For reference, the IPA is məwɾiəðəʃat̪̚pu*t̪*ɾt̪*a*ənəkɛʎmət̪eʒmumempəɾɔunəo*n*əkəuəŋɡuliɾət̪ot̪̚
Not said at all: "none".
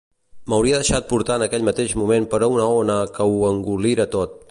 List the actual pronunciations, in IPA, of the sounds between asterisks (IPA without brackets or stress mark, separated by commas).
none, a, n